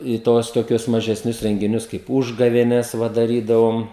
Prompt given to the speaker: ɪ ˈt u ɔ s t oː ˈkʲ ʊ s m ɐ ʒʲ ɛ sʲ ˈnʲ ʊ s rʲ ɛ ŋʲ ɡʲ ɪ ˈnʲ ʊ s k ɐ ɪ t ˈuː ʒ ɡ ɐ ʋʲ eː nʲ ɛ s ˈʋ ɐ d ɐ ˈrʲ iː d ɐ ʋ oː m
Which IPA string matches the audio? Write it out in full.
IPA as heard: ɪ ˈt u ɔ s t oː ˈkʲ ʊ s m ɐ ʒʲ ɛ sʲ ˈnʲ ʊ s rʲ ɛ ŋʲ ɡʲ ɪ ˈnʲ ʊ s k ɐ ɪ p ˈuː ʒ ɡ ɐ ʋʲ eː nʲ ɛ s ˈʋ ɐ d ɐ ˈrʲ iː d ɐ ʋ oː m